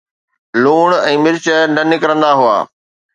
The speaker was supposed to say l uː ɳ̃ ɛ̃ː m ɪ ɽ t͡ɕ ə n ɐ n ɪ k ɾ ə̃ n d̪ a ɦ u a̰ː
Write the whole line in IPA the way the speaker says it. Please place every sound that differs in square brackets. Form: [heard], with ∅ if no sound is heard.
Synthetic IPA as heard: l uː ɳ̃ ɛ̃ː m ɪ [ɾ] t͡ɕ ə n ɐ n ɪ k ɾ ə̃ n d̪ a ɦ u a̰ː